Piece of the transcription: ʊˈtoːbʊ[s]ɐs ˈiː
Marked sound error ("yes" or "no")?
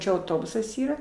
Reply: no